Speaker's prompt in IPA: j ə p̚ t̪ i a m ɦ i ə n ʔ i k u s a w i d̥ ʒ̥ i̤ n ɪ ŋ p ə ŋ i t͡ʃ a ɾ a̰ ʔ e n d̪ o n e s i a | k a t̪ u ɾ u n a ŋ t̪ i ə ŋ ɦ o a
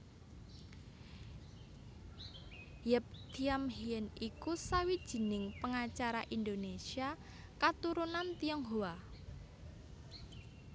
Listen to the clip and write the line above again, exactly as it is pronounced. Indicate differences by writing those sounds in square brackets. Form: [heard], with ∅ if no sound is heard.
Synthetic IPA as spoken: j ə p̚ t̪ i a m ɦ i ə n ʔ i k u s a w i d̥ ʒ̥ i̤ n ɪ ŋ p ə ŋ [a] t͡ʃ a ɾ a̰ ʔ [i] n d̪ o n e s i a | k a t̪ u ɾ u n a [n] t̪ i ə ŋ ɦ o a